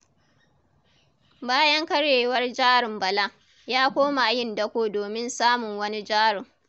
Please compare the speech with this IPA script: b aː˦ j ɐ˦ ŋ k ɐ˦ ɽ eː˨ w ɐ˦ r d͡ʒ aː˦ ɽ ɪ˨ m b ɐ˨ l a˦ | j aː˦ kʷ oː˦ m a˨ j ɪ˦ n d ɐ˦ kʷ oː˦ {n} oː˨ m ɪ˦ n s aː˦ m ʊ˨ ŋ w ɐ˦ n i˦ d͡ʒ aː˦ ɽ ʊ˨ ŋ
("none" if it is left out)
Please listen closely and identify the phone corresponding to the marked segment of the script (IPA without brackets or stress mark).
d